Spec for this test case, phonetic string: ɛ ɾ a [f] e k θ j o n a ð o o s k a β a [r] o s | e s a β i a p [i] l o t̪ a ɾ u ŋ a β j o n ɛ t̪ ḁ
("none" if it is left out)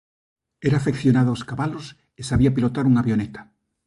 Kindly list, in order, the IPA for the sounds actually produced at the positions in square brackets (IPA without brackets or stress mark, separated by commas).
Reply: f, l, i